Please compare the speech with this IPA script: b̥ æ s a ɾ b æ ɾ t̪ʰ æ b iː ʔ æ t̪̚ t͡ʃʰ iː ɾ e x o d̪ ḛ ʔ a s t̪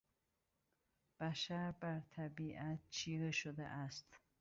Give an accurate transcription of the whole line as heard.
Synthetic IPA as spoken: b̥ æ ʃ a ɾ b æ ɾ t̪ʰ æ b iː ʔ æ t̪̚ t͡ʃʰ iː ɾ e ʃ o d̪ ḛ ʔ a s t̪